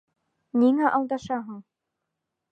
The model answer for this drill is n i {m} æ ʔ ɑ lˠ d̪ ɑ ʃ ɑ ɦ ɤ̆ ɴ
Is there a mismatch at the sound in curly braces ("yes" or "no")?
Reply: yes